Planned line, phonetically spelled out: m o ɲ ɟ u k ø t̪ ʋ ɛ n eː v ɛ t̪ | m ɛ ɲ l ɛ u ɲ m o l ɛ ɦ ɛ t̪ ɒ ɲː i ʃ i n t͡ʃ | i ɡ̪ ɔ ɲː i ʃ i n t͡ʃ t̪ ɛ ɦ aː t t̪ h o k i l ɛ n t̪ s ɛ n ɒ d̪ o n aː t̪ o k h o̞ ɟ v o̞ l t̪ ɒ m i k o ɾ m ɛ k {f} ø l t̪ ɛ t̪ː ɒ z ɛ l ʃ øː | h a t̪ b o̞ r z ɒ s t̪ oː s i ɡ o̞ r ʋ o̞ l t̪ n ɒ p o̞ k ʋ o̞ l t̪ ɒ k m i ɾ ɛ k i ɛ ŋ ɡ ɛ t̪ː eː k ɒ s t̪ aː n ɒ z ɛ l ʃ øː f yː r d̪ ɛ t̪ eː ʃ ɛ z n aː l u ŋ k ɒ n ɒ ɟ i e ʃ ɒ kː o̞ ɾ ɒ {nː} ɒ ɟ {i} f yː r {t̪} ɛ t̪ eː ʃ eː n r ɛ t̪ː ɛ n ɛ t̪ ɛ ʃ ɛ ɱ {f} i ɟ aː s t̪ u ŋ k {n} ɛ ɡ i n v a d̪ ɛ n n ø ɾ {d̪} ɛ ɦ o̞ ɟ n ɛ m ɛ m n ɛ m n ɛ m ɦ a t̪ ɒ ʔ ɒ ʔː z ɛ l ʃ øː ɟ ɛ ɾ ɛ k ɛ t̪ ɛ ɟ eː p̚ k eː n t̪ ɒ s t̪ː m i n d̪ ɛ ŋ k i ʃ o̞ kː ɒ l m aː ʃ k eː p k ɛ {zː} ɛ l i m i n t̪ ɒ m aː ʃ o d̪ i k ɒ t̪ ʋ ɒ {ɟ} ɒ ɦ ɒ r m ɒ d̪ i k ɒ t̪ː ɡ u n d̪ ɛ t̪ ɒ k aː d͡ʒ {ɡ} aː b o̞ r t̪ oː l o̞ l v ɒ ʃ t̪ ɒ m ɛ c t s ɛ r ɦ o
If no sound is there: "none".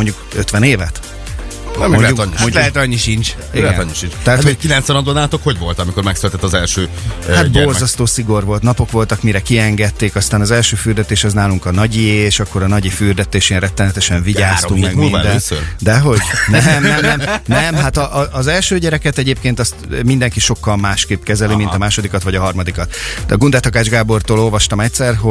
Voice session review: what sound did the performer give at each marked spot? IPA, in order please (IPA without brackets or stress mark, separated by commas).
s, n, i, d̪, v, m, d̪, z, ɟ, ɡ